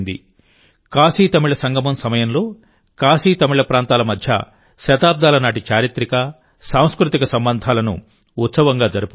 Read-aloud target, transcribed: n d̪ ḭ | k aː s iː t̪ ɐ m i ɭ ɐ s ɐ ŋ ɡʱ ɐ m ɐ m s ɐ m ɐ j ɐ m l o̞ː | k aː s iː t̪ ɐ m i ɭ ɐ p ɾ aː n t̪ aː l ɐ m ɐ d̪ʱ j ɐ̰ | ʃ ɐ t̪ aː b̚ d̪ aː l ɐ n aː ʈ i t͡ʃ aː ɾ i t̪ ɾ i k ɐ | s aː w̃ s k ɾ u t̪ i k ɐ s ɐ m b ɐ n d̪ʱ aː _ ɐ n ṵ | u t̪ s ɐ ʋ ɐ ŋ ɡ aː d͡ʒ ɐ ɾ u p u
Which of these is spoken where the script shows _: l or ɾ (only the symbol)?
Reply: l